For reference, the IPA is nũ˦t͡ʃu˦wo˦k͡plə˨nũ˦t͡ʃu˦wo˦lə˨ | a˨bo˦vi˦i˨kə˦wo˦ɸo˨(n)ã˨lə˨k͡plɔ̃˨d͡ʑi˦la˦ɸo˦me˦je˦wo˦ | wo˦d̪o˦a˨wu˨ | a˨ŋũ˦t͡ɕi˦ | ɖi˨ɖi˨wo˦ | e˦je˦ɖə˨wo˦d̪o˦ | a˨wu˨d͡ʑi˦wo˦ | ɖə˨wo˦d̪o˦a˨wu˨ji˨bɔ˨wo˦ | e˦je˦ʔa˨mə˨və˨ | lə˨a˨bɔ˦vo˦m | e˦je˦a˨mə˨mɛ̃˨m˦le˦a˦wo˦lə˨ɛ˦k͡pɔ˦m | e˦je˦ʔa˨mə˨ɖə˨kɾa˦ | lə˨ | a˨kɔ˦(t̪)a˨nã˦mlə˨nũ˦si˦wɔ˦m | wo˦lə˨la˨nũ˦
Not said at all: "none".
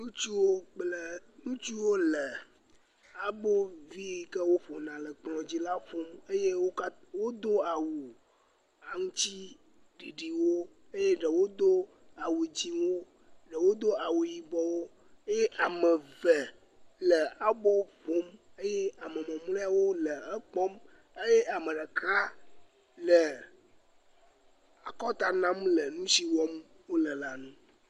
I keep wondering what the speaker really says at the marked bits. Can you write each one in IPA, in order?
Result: n, t̪

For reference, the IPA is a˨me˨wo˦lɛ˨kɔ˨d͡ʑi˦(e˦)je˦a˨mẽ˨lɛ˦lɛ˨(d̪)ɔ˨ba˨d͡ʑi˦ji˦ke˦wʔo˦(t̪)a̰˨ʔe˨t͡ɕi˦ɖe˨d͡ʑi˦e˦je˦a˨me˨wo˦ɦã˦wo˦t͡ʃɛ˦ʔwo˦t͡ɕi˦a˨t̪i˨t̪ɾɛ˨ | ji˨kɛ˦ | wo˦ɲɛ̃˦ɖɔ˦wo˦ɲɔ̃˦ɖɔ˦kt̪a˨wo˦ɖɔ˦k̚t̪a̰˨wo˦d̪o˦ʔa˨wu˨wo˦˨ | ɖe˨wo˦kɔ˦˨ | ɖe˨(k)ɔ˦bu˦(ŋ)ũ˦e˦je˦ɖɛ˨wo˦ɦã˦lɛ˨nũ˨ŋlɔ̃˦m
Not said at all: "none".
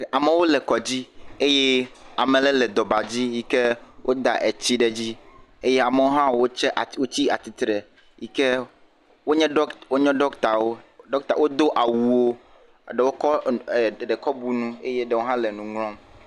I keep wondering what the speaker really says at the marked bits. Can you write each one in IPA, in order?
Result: e˦, d̪, d̪, k, n

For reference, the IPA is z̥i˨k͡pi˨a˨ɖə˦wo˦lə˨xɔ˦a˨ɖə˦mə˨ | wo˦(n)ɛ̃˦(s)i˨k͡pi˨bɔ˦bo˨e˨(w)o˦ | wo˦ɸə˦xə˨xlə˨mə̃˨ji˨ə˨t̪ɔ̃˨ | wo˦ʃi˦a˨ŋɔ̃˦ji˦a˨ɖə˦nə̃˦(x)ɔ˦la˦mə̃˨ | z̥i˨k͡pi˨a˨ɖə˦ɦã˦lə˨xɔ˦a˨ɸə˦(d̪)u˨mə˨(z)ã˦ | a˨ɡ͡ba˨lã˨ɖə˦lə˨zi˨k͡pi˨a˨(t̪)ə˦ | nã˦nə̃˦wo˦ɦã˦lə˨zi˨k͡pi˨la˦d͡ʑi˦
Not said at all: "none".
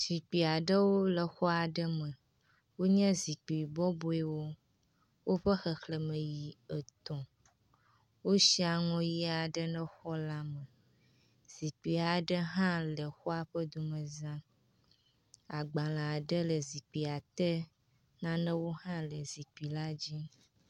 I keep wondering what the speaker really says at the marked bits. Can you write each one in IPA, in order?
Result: ɲ, z, w, x, d̪, z, t̪

